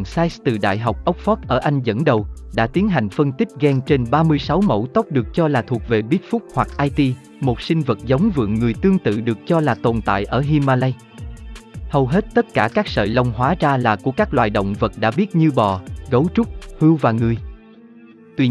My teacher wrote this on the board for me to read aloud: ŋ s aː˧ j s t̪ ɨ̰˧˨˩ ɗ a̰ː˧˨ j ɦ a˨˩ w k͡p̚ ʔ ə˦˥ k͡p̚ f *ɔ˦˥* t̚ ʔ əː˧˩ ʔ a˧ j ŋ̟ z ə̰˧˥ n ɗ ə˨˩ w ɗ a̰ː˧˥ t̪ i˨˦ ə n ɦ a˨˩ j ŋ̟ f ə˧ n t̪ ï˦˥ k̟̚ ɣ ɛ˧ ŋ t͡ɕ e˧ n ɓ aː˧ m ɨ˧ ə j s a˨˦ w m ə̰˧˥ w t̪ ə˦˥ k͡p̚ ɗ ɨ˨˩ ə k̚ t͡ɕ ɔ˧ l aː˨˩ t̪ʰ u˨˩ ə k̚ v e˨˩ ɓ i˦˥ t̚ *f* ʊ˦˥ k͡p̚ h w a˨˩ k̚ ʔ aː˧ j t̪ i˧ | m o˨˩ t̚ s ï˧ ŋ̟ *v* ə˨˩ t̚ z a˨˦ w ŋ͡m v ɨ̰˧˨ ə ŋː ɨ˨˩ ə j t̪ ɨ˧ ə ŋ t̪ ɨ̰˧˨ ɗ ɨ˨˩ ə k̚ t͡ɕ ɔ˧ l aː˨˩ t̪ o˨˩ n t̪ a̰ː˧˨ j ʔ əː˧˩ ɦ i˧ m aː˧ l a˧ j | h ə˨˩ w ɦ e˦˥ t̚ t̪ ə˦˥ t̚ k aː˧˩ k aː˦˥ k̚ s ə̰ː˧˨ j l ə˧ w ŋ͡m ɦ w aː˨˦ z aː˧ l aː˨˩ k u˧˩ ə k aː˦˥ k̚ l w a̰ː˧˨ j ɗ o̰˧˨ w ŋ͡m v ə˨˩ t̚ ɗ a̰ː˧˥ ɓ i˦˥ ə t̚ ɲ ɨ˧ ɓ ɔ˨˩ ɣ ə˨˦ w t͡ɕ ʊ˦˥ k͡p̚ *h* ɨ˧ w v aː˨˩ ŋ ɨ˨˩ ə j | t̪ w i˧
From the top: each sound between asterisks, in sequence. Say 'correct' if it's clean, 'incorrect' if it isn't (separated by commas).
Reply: correct, correct, correct, correct